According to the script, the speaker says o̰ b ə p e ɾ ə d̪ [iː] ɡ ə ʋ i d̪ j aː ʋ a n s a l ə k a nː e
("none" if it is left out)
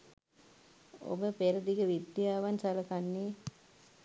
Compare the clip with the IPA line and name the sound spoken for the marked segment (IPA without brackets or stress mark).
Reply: i